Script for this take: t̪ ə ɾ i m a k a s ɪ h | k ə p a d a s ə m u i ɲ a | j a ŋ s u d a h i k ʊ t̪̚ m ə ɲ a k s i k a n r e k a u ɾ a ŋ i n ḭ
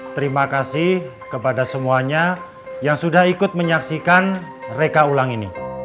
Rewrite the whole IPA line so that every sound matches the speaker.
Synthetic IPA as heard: t̪ ə ɾ i m a k a s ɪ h | k ə p a d a s ə m u a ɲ a | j a ŋ s u d a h i k ʊ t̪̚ m ə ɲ a k s i k a n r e k a u l a ŋ i n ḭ

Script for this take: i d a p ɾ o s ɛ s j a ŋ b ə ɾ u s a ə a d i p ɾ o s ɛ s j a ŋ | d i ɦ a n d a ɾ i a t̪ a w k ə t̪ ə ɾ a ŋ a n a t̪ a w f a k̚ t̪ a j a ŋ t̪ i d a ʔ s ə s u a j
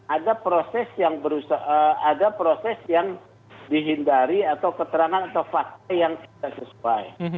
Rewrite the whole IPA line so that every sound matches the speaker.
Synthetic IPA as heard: a d a p ɾ o s ɛ s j a ŋ b ə ɾ u s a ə a d a p ɾ o s ɛ s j a ŋ | d i ɦ i n d a ɾ i a t̪ a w k ə t̪ ə ɾ a ŋ a n a t̪ a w f a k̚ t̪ a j a ŋ t̪ i d a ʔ s ə s u a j

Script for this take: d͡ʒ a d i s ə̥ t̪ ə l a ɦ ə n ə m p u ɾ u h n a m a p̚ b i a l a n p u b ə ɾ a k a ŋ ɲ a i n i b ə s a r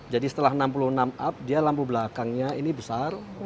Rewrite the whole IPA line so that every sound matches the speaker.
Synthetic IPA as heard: d͡ʒ a d i s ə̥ t̪ ə l a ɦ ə n a m p u l u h n a m a p̚ d i a l a m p u b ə l a k a ŋ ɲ a i n i b ə s a r

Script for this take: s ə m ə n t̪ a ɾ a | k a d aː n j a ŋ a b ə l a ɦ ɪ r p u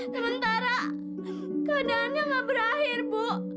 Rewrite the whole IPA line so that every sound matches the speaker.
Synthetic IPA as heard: s ə m ə n t̪ a ɾ a | k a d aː n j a ŋ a b ə ɾ a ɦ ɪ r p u

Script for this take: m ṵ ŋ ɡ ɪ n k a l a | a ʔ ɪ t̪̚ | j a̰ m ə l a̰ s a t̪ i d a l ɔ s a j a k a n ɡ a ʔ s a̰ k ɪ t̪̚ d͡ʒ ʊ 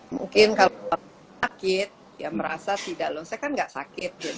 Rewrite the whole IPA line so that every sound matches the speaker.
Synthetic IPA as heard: m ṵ ŋ k ɪ n k a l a | a k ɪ t̪̚ | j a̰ m ə ɾ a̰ s a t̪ i d a l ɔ s a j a k a n ɡ a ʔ s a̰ k ɪ t̪̚ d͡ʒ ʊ

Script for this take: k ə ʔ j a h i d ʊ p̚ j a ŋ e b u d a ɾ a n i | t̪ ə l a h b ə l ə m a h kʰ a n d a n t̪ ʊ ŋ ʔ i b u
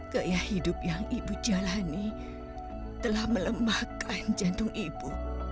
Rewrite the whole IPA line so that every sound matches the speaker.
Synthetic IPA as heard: k ə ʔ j a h i d ʊ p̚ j a ŋ i b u d͡ʒ a l a n i | t̪ ə l a h m ə l ə m a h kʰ a n d͡ʒ a n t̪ ʊ ŋ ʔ i b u

